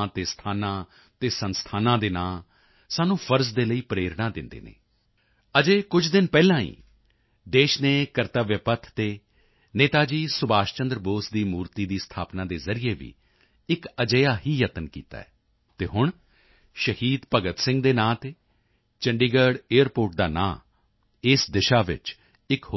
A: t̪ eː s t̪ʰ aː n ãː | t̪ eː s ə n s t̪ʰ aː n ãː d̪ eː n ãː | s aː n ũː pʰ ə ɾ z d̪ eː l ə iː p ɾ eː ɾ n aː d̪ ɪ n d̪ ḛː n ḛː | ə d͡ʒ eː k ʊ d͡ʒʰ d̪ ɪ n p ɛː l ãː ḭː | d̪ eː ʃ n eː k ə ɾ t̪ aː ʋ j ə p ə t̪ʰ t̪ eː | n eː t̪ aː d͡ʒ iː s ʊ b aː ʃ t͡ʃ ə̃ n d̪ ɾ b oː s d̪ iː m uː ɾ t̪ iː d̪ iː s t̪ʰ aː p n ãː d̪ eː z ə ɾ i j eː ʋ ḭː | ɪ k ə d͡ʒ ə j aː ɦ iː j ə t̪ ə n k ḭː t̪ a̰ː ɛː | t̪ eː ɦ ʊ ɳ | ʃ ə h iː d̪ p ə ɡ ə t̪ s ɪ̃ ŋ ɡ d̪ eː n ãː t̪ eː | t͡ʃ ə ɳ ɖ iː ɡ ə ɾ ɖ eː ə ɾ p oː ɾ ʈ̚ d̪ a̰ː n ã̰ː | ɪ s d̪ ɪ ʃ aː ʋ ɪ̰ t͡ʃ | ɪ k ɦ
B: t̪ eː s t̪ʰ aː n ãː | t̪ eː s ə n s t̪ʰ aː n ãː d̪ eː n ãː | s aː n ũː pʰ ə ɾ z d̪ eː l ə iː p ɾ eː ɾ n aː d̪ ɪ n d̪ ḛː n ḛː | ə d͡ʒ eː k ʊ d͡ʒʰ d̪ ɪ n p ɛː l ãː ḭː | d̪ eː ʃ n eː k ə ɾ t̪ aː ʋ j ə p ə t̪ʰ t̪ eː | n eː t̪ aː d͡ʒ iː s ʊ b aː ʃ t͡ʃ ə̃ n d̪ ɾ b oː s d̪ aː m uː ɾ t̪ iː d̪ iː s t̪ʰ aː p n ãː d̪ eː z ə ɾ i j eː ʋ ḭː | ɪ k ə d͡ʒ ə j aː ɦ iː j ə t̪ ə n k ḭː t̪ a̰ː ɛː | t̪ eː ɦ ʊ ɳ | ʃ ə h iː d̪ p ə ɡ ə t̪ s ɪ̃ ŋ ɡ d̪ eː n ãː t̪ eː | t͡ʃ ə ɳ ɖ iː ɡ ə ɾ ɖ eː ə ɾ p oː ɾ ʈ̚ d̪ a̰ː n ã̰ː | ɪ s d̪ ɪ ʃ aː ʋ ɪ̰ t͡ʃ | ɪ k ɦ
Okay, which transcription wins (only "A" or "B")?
A